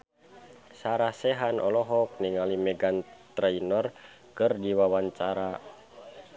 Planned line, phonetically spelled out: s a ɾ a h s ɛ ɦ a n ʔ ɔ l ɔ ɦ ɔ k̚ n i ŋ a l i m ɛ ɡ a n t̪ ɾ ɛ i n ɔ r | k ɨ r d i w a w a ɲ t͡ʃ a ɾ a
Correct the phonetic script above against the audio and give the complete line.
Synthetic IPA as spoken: s a ɾ a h s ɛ ɦ a n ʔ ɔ l ɔ ɦ ɔ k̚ n i ŋ a l i m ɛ ɡ a n t̪ ɾ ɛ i n ɔ r | k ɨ r d i w a w a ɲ t͡ʃ a ɾ a